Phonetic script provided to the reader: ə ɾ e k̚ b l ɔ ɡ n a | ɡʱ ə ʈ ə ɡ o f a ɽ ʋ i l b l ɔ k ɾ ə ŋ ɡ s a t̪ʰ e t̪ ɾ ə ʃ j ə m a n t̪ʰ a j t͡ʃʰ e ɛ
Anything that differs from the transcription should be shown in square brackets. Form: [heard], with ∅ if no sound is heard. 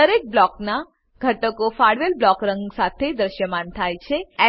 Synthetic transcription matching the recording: ə ɾ e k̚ b l ɔ [k] n a | ɡʱ ə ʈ ə [k] o f a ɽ ʋ [e] l b l ɔ k ɾ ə ŋ ɡ s a t̪ʰ e [d̪] ɾ ə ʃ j ə m a n t̪ʰ a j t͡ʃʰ e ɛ